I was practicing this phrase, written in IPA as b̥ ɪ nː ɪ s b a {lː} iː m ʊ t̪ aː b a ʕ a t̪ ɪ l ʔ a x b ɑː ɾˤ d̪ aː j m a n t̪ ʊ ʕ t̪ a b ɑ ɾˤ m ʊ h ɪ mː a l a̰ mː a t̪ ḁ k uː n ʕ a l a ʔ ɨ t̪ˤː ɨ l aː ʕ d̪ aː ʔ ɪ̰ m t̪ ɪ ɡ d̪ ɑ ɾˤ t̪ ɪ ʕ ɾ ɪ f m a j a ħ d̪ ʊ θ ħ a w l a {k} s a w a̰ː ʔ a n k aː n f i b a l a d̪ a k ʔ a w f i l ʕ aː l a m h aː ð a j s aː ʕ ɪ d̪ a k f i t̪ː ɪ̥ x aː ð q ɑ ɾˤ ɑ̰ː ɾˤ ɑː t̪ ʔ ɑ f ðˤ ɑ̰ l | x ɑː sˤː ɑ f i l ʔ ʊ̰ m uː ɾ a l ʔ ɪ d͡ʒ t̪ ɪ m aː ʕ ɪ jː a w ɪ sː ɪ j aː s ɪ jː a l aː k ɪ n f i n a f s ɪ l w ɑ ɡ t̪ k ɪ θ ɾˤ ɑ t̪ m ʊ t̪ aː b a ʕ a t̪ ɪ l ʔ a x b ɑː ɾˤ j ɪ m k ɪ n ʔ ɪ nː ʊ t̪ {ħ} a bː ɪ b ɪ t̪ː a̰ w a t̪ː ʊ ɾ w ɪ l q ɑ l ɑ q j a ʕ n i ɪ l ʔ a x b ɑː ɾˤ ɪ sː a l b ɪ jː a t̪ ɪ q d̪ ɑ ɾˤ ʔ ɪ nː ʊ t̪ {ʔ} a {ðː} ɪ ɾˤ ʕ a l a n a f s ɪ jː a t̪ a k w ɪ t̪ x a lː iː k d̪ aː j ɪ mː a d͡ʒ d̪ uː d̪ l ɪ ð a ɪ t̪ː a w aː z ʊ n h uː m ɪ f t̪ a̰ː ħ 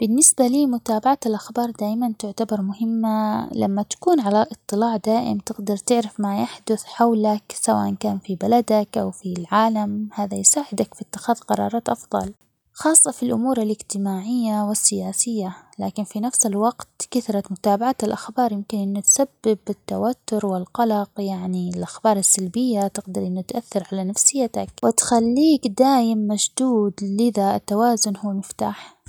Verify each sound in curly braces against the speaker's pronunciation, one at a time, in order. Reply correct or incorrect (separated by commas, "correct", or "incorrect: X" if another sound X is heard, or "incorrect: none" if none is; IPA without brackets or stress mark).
incorrect: l, correct, incorrect: s, correct, incorrect: θː